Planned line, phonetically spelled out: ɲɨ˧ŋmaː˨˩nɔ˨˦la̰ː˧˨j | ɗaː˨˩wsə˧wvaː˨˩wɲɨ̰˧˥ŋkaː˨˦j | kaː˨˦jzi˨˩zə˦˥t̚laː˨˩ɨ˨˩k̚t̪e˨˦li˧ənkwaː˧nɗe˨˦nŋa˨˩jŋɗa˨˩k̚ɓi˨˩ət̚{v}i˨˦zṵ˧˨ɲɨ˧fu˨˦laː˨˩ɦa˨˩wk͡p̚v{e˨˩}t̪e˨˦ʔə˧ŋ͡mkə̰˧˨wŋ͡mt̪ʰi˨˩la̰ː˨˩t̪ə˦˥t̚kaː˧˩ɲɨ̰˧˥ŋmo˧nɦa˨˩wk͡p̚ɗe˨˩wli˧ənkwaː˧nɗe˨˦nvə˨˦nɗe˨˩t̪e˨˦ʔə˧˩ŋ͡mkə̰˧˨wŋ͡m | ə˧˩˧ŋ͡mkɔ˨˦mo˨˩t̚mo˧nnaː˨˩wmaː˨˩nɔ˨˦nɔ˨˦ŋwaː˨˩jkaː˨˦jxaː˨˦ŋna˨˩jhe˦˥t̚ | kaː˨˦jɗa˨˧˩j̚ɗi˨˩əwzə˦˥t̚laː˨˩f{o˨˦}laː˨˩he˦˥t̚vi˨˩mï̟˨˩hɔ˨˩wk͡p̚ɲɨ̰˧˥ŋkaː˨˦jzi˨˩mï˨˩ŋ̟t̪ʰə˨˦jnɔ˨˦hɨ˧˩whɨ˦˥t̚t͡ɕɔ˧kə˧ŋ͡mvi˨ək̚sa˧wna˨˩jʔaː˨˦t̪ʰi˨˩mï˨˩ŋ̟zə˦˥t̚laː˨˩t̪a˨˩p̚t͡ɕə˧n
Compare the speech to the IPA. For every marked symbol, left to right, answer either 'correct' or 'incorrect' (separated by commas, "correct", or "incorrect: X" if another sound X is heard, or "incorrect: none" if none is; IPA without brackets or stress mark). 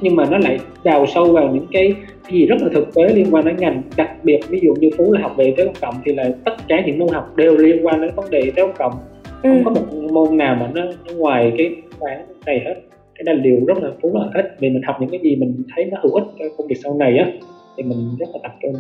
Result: correct, correct, incorrect: u˨˦